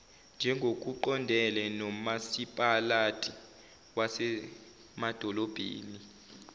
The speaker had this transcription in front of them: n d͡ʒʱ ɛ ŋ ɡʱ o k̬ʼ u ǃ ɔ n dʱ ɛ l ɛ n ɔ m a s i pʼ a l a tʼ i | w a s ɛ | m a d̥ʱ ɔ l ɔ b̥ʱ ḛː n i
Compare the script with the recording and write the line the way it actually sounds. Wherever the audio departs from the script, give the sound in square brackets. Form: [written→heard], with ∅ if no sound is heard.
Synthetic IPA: n d͡ʒʱ ɛ ŋ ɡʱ o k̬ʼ u ǃ ɔ n dʱ ɛ l ɛ n ɔ m a s i pʼ a l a tʼ i | w a s ɛ | m a d̥ʱ ɔ l ɔ b̥ʱ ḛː n i